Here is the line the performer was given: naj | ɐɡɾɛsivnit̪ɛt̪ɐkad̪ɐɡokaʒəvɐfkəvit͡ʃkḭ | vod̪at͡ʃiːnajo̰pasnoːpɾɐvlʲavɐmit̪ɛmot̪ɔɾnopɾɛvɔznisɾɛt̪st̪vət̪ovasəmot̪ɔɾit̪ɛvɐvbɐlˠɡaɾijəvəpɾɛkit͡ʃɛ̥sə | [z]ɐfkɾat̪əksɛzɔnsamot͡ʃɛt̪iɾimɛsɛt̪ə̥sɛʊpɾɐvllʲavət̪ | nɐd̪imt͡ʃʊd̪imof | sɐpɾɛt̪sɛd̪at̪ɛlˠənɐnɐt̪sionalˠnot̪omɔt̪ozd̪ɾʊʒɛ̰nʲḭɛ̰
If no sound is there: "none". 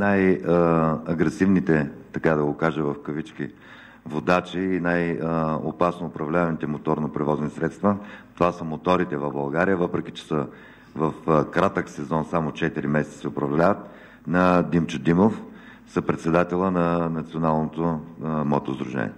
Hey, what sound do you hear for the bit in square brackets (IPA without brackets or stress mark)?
v